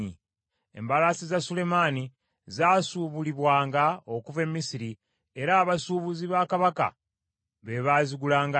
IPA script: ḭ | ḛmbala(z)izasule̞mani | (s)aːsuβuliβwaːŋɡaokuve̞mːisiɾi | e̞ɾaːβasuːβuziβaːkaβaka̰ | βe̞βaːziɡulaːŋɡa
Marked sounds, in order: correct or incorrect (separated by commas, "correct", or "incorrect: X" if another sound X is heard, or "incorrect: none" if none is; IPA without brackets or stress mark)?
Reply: incorrect: s, incorrect: z